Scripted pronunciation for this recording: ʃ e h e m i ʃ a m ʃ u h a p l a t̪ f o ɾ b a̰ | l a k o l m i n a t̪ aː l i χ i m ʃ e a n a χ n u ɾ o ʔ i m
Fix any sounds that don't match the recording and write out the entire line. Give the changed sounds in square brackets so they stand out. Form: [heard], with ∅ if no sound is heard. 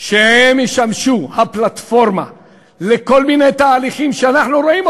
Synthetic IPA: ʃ e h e m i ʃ a m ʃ u h a p l a t̪ f o ɾ [m] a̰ | l [e] k o l m i n [e] t̪ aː l i χ i m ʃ e a n a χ n u ɾ o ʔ i m